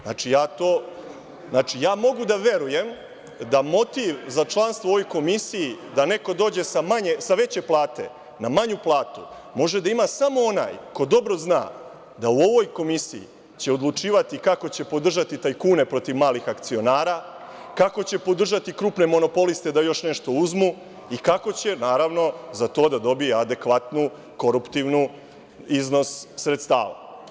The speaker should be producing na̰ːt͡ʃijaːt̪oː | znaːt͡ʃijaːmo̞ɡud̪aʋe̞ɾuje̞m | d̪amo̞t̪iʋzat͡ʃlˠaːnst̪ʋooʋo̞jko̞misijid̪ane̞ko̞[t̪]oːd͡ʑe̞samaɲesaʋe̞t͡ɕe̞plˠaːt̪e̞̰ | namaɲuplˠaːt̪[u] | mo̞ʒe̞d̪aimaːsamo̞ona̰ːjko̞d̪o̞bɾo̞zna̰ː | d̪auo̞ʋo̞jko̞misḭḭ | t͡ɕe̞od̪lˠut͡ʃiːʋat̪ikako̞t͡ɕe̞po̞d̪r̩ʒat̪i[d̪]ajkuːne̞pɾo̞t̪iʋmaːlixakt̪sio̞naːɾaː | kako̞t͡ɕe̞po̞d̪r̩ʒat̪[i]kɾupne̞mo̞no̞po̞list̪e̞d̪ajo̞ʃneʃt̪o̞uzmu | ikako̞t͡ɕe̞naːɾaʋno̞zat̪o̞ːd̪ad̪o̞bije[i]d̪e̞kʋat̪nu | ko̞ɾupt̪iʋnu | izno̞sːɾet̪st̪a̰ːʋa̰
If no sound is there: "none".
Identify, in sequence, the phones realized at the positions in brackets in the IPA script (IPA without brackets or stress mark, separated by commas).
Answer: d̪, u, t̪, i, a